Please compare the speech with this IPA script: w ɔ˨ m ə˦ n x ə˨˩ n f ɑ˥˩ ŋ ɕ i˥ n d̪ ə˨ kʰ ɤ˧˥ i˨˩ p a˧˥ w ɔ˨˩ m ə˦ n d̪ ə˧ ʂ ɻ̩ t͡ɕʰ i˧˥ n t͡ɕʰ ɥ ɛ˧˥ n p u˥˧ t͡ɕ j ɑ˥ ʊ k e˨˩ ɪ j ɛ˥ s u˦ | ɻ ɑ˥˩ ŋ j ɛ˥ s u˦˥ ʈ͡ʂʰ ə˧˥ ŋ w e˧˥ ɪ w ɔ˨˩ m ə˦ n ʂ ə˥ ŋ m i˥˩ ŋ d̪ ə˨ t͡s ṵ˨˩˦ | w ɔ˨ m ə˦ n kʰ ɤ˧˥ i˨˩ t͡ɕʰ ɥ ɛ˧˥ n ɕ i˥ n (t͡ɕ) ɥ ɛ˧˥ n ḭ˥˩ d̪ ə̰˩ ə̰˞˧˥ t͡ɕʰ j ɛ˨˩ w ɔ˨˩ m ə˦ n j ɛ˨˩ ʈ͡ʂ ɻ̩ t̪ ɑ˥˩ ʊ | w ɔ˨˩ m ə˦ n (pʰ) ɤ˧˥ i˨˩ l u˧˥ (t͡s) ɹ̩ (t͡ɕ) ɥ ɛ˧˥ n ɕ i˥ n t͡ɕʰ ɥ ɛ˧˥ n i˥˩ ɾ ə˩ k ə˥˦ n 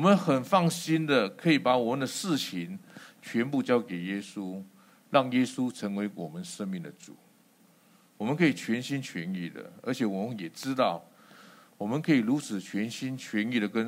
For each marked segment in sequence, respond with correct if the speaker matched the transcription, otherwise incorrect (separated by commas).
incorrect, incorrect, incorrect, incorrect